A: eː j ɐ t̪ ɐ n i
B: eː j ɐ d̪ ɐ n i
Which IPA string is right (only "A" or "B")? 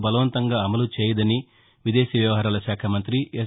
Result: B